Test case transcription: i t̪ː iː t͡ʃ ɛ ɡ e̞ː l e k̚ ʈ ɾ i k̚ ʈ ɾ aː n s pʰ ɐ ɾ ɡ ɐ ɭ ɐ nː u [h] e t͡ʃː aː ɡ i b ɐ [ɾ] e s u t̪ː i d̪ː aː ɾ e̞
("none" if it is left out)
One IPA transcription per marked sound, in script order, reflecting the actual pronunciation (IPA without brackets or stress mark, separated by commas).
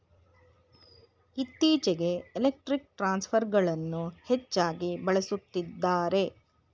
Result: h, ɭ